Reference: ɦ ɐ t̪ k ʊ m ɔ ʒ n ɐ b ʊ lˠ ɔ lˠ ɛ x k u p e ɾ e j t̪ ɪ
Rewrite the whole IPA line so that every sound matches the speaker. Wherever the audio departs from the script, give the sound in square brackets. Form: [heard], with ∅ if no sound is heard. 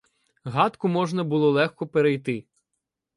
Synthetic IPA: ɦ [ɑ] t̪ k ʊ m ɔ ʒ n ɐ b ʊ lˠ ɔ lˠ ɛ x k [ɔ] p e ɾ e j t̪ ɪ